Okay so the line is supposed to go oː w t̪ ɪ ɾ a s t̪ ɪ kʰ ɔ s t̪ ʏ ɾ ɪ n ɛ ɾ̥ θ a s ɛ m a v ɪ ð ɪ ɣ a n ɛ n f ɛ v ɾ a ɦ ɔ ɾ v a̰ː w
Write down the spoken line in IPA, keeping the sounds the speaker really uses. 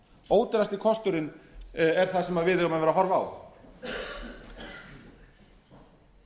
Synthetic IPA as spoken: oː w t̪ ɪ ɾ a s t̪ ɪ kʰ ɔ s t̪ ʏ ɾ ɪ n ɛ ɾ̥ θ a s ɛ m a v ɪ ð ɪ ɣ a m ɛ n v ɛ ɾ a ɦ ɔ ɾ v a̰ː w